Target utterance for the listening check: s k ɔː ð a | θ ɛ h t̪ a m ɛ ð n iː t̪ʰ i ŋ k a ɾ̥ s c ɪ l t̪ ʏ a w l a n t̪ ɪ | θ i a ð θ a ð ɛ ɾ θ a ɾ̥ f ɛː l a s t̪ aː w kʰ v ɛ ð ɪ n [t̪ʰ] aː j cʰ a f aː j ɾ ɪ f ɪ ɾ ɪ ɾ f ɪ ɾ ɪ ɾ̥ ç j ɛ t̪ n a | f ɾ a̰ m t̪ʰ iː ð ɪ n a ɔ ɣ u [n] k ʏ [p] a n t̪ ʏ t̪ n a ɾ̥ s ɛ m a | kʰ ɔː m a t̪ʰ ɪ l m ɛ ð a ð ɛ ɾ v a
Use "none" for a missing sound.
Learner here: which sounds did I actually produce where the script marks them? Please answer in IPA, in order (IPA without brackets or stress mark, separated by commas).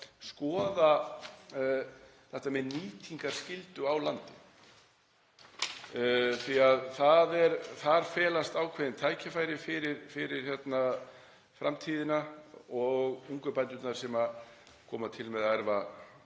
t̪ʰ, ŋ, p